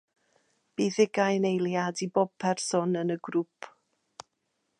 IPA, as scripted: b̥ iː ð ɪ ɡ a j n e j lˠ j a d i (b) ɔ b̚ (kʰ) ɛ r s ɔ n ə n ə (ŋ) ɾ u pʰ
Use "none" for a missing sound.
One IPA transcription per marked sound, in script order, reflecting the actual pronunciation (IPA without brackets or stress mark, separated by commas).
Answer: b, pʰ, ɡ